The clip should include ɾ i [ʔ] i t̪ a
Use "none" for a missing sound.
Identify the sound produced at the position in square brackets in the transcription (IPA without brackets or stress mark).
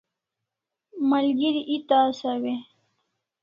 ʔ